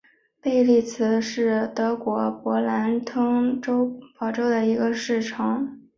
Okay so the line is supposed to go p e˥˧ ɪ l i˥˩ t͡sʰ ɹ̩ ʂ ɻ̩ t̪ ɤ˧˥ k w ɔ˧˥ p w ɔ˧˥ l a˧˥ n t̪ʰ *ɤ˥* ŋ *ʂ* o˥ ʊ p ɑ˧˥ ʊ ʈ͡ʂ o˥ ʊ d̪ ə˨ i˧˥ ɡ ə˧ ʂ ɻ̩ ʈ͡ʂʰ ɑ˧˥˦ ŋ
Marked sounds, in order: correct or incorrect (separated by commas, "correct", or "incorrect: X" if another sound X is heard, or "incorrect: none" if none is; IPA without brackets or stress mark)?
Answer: correct, incorrect: ʈ͡ʂ